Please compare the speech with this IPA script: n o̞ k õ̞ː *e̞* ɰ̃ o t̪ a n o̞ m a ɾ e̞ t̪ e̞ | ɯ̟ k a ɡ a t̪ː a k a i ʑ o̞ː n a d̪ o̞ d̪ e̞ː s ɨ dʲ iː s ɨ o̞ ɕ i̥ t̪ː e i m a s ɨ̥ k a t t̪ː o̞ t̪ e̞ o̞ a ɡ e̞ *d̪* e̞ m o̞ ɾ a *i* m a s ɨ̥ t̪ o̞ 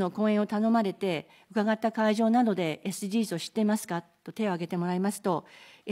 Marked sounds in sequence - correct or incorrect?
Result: incorrect, incorrect, correct

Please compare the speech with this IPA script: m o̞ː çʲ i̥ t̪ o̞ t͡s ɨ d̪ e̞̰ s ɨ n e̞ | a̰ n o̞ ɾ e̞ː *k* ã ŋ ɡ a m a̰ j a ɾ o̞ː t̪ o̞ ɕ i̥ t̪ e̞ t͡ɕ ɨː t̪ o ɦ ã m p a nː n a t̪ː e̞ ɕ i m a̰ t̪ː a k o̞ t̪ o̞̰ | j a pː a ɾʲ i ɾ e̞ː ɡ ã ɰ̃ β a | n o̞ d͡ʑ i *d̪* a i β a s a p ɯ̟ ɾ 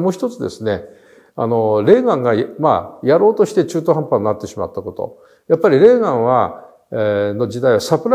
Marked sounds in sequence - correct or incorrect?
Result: incorrect, correct

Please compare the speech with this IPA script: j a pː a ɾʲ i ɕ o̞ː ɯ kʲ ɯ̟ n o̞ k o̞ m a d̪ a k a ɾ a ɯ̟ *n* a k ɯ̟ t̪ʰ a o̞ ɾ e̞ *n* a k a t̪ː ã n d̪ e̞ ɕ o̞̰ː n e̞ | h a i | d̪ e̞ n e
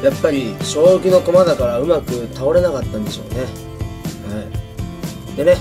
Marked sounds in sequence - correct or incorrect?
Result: incorrect, correct

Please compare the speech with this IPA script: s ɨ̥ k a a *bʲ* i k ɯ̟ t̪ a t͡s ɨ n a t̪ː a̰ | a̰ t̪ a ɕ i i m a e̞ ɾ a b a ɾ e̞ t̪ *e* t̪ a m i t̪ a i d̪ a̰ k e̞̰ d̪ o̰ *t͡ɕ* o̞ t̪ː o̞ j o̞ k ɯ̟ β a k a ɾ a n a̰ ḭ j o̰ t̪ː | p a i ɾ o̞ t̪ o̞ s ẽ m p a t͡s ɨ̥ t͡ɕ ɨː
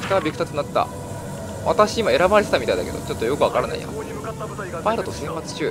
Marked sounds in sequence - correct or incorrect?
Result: correct, correct, correct

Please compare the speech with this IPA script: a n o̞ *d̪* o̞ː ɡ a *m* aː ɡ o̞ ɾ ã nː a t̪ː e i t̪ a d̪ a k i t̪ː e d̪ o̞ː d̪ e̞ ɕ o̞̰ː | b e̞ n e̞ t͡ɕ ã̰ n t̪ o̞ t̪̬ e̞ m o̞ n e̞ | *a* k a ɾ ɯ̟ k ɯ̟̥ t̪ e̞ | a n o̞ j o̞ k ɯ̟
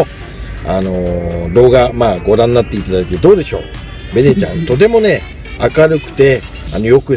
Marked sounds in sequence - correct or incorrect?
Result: correct, correct, correct

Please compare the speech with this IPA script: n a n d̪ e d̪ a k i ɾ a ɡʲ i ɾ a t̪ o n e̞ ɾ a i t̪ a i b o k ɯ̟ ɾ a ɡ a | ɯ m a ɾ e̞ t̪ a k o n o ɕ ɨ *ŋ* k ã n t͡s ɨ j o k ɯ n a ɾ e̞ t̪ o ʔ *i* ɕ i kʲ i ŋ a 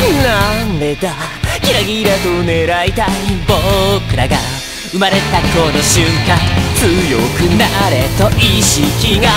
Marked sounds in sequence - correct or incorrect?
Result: correct, correct

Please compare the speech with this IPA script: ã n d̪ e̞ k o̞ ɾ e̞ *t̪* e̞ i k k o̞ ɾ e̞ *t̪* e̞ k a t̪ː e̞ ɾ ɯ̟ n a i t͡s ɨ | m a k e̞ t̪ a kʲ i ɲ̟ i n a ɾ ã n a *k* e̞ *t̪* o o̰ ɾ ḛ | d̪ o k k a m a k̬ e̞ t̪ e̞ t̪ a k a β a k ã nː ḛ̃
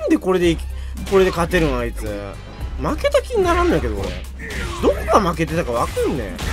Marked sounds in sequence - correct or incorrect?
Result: incorrect, incorrect, correct, incorrect

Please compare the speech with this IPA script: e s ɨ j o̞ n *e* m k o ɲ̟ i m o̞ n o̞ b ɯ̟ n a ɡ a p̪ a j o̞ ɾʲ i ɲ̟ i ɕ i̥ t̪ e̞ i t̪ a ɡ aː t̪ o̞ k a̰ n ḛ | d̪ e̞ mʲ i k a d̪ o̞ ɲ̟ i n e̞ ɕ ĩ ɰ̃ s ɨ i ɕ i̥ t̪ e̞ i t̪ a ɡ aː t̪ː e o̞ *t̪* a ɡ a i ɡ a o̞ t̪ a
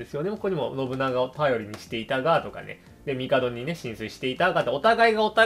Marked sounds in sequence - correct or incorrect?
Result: correct, correct

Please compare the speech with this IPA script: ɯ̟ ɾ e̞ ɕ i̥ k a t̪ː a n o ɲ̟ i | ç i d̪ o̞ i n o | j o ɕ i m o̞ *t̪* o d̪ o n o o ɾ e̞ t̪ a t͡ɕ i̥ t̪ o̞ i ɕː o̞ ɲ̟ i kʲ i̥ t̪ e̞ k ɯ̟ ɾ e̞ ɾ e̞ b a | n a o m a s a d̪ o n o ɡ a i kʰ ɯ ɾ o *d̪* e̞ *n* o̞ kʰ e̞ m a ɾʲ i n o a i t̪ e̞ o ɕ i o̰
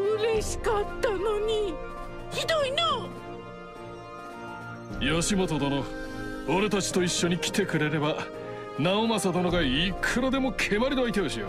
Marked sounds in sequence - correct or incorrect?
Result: correct, correct, incorrect

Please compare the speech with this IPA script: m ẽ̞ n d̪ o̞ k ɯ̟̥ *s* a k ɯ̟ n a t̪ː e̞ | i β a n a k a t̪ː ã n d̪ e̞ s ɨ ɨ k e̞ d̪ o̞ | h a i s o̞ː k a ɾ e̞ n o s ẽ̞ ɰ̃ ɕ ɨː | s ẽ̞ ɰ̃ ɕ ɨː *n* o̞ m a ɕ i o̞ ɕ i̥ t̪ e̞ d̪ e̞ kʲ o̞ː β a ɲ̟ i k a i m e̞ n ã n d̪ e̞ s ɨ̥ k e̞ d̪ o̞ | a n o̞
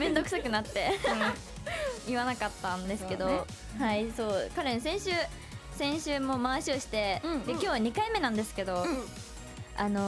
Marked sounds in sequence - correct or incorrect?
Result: correct, incorrect

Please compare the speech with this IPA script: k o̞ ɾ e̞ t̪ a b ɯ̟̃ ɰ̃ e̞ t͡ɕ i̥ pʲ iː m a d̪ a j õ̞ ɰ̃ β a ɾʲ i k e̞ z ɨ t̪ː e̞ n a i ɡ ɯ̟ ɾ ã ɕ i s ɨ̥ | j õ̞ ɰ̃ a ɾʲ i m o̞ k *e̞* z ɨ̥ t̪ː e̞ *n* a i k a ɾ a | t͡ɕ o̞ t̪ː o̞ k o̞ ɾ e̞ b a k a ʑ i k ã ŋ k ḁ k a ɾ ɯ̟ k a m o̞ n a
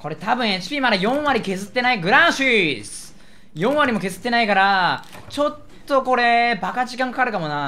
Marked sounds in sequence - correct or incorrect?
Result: correct, correct

